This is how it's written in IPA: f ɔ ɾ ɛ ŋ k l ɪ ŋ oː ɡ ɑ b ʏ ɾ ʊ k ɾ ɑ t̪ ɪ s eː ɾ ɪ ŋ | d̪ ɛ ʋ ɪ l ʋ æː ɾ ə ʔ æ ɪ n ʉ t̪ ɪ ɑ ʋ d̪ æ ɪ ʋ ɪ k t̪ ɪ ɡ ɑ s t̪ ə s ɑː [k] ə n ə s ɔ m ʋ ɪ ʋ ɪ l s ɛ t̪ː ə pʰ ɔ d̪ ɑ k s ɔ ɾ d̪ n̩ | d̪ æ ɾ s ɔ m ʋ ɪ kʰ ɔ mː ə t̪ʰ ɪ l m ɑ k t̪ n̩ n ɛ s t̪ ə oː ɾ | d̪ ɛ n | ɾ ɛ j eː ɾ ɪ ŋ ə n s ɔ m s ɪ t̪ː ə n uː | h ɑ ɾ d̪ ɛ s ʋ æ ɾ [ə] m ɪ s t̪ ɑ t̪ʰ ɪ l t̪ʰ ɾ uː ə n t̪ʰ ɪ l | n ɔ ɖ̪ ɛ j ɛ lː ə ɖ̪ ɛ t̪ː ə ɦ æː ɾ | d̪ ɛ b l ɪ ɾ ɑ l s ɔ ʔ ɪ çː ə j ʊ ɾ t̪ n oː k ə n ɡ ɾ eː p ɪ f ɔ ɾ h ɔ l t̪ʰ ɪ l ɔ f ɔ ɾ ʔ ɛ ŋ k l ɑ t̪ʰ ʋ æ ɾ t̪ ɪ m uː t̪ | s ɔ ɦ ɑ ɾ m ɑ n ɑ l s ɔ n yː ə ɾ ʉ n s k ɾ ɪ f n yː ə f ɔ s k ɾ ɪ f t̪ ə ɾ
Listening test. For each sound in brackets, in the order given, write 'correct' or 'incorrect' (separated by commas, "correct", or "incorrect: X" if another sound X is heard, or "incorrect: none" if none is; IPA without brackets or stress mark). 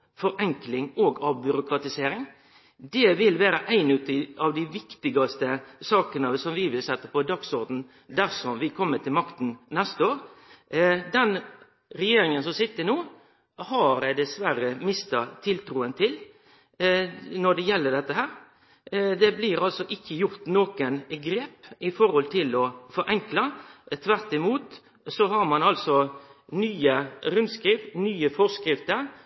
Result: correct, correct